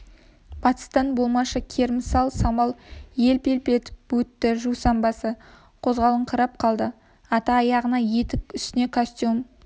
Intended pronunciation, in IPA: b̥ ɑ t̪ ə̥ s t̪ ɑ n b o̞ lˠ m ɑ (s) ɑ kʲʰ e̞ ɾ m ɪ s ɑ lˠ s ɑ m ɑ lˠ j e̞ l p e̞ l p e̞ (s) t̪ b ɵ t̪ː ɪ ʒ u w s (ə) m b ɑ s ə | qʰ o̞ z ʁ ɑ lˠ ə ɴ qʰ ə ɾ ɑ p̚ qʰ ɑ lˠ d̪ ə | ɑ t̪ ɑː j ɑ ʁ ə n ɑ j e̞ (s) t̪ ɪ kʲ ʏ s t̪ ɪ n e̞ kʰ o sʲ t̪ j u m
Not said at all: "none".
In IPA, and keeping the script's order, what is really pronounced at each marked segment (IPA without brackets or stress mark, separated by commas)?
ʃ, none, ɑ, none